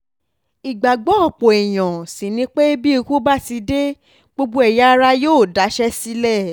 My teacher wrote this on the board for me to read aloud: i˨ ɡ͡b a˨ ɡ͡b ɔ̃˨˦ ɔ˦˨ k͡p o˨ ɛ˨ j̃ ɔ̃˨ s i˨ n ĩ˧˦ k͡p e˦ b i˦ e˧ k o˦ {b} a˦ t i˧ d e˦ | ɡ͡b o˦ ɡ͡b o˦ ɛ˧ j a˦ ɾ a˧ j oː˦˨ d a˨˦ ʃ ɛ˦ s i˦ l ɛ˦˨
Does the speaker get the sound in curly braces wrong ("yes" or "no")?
no